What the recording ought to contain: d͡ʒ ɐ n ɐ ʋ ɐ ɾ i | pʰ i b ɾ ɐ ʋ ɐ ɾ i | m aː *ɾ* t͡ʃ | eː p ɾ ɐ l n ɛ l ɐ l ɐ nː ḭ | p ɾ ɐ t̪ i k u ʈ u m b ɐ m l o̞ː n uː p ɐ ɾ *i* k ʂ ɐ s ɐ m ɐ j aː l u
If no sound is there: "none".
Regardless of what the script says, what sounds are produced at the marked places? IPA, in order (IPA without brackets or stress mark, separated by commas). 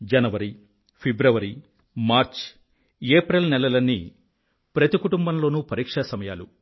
ɾ, iː